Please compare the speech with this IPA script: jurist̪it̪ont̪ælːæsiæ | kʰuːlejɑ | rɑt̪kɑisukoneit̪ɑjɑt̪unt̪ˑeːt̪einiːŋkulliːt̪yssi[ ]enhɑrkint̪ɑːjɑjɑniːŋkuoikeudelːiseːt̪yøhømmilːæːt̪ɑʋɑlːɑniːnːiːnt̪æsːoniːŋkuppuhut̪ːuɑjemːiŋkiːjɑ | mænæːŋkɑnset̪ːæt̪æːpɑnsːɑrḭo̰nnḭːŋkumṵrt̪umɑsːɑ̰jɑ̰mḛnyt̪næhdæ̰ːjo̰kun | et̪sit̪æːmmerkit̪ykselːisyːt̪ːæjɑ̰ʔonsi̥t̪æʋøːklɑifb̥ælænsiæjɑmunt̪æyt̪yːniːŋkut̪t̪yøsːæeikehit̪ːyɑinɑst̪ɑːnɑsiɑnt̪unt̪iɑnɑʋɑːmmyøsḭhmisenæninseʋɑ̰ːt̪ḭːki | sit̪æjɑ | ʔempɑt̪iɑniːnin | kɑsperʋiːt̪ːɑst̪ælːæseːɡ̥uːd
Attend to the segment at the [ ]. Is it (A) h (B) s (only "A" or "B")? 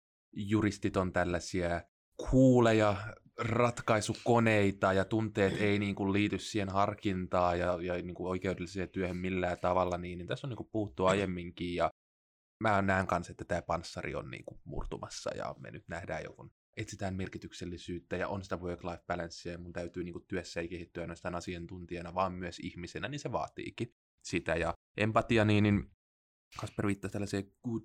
A